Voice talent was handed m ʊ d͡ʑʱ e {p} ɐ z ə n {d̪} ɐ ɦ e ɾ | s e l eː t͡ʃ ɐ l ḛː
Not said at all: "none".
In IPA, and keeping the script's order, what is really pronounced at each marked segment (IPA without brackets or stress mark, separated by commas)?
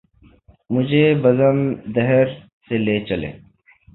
b, d̪